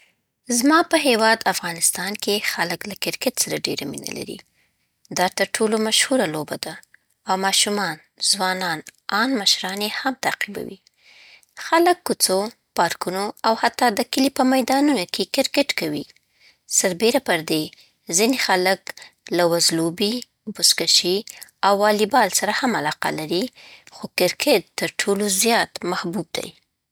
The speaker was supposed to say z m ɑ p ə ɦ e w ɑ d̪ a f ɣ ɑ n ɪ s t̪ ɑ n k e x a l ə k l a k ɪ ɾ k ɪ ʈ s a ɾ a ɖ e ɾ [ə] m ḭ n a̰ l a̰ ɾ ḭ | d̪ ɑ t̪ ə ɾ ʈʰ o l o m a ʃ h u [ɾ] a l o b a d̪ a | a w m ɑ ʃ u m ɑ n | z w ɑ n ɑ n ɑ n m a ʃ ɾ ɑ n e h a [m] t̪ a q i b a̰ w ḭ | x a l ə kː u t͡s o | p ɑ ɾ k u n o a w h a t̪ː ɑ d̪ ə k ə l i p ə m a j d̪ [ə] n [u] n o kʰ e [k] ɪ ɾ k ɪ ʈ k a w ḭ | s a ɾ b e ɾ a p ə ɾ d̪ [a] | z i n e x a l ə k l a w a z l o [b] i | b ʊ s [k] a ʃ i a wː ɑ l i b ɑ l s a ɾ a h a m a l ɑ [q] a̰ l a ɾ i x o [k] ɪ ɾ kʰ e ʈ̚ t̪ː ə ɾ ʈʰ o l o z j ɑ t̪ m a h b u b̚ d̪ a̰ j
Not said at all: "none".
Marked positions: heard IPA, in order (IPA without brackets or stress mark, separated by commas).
a, ɾ, m, ɑ, u, k, e, b, k, q, k